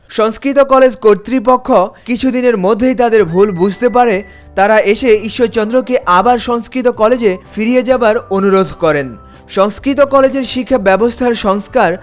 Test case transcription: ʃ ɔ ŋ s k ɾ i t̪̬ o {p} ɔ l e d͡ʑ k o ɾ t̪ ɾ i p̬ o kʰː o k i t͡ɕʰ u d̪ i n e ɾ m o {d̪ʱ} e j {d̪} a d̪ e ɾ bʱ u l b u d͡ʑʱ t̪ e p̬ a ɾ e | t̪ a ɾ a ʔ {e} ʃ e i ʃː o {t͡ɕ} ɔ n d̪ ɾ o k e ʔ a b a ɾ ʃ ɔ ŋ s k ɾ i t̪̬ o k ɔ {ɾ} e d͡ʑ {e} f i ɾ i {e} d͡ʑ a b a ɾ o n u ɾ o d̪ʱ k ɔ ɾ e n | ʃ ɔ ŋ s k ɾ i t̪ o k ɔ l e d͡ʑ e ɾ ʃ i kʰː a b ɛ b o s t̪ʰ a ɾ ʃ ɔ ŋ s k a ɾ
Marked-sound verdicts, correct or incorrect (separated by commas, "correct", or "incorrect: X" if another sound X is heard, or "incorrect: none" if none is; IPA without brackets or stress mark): incorrect: k, incorrect: d̪ʱː, incorrect: t̪, correct, correct, incorrect: l, correct, correct